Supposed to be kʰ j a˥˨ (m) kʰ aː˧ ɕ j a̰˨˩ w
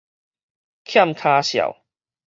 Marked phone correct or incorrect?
correct